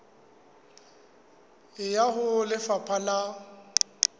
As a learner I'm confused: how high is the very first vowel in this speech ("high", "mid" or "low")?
high